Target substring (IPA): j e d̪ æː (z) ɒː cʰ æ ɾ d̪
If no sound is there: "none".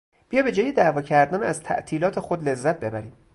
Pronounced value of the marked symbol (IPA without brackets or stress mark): v